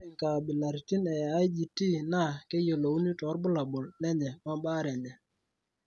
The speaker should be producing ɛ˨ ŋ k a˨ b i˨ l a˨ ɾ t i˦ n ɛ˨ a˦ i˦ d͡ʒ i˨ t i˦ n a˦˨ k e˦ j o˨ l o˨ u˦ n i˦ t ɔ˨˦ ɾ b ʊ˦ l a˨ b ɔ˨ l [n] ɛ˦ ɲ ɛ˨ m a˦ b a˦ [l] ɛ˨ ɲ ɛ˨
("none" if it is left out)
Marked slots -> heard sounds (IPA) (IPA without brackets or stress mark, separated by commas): n, ɾ